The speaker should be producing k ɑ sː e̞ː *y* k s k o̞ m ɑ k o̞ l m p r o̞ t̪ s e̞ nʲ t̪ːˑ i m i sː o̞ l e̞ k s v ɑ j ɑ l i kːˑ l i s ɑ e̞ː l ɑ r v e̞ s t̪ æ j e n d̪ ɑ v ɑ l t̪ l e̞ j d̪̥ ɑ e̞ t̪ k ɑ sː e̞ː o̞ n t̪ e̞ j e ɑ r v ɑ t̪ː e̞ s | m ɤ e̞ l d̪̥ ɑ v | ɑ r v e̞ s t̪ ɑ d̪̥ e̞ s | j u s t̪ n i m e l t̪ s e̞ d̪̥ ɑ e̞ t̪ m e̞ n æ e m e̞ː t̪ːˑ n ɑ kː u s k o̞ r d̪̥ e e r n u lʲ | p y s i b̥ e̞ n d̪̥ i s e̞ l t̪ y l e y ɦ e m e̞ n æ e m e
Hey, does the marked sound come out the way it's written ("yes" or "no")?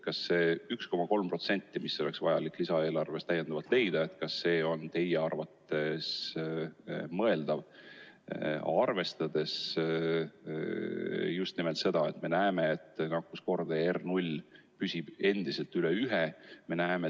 yes